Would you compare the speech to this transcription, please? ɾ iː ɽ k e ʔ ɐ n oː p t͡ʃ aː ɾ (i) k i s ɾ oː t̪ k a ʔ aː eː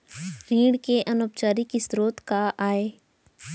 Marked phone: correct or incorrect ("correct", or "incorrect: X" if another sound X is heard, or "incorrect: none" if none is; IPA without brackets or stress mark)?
correct